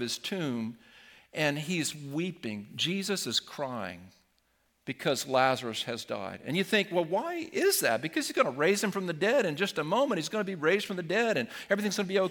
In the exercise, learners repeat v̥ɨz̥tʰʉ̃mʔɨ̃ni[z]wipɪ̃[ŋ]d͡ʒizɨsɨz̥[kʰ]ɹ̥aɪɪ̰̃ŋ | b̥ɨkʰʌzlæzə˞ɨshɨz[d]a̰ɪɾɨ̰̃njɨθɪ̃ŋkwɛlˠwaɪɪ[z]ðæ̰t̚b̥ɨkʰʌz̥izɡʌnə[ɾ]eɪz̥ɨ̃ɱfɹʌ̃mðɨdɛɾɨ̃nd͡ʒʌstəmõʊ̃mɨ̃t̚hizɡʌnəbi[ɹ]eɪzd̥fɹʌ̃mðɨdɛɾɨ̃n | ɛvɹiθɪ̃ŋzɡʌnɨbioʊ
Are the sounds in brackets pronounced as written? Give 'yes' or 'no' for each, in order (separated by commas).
yes, yes, yes, yes, yes, no, yes